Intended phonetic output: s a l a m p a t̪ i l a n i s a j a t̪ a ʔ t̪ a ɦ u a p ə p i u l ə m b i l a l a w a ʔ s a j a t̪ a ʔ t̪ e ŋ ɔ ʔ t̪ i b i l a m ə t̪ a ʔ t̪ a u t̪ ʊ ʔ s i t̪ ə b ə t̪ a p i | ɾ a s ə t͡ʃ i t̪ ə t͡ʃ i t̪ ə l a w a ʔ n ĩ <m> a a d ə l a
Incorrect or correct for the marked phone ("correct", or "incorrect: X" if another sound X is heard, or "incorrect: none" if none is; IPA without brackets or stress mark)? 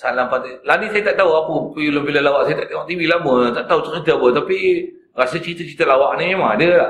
correct